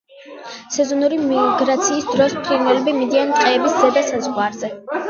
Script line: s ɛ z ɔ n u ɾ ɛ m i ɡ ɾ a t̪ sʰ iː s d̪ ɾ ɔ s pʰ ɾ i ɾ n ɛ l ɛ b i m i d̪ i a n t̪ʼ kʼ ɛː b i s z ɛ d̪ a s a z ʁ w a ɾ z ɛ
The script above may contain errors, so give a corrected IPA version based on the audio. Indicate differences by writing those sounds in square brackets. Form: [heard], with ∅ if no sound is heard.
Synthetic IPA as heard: s ɛ z ɔ n u ɾ [i] m i ɡ ɾ a t̪ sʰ iː s d̪ ɾ ɔ s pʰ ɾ i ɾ n ɛ l ɛ b i m i d̪ i a n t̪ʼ [qʼ] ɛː b i s z ɛ d̪ a s a z ʁ w a ɾ z ɛ